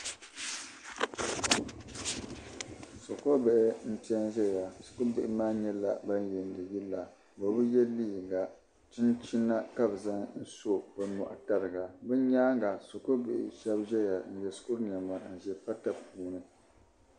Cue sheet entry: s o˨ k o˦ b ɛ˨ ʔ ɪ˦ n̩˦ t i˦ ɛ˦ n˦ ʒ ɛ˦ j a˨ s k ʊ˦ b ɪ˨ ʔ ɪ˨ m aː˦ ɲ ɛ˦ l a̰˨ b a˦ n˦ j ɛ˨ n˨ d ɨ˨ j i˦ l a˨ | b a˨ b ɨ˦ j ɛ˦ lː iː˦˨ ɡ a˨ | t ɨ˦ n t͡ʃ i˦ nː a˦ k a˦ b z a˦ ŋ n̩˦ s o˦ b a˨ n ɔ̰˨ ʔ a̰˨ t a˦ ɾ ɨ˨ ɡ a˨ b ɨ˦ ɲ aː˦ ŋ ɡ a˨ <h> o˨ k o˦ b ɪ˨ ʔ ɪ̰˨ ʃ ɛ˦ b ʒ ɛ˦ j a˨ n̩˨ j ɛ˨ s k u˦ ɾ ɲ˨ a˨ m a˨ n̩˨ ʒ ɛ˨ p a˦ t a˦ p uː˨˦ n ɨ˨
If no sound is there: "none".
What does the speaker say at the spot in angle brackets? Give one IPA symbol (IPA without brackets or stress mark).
s